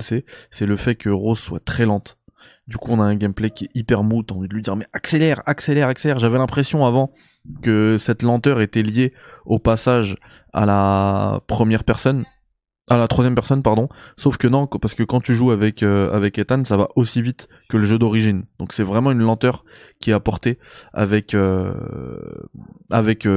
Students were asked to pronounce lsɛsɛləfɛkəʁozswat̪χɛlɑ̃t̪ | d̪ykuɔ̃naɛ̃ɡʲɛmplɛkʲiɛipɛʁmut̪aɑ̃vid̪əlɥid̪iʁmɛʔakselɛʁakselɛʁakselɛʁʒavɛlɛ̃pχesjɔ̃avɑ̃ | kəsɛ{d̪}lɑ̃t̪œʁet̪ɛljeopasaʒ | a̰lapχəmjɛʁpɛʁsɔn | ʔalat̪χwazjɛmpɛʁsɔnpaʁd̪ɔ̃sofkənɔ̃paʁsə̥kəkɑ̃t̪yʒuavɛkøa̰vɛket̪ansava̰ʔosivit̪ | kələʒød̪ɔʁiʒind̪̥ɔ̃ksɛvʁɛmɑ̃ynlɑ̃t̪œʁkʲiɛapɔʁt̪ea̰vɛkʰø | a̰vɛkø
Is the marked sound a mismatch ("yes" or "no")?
yes